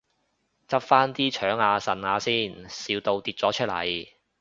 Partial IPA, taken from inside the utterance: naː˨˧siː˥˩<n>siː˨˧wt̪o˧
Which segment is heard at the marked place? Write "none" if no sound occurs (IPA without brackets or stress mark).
n